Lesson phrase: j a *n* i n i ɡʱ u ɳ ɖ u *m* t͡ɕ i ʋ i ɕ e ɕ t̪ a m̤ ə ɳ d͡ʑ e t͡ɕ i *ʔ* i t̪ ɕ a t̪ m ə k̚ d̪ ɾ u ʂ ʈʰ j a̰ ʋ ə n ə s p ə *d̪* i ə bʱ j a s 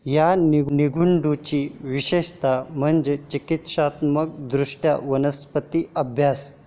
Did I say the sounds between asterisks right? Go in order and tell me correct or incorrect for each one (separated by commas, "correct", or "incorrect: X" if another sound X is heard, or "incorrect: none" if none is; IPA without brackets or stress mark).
correct, incorrect: none, incorrect: k, incorrect: t̪